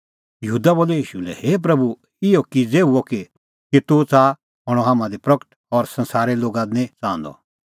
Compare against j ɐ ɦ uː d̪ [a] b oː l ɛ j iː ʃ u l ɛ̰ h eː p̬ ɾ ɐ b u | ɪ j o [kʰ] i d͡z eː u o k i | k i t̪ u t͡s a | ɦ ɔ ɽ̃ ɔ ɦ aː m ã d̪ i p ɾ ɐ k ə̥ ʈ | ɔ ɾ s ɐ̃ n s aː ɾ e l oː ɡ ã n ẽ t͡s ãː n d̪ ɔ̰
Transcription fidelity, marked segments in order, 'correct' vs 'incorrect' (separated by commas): correct, incorrect